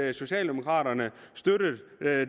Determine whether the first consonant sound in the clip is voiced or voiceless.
voiceless